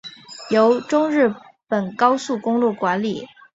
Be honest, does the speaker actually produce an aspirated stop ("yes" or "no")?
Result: no